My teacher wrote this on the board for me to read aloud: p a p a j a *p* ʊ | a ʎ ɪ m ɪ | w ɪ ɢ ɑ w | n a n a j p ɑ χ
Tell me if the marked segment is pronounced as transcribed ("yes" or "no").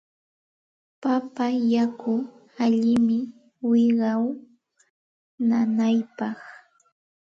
no